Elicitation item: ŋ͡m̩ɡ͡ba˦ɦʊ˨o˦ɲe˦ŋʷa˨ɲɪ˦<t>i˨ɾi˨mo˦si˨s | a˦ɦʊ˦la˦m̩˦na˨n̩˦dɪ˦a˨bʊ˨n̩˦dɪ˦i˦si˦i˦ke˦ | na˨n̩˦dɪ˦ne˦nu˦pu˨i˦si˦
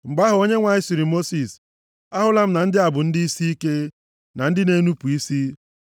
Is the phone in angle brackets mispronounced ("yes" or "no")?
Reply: yes